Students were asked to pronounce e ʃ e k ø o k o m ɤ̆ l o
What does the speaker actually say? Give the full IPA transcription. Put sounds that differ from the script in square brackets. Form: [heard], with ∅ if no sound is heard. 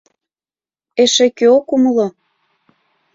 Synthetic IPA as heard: e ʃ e k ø o k [u] m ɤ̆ l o